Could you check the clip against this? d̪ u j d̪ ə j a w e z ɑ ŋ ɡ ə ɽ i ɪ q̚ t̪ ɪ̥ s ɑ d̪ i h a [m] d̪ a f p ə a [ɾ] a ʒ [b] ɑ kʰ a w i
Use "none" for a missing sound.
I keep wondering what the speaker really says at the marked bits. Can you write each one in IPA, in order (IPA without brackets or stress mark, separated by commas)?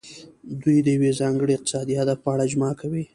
none, ɽ, m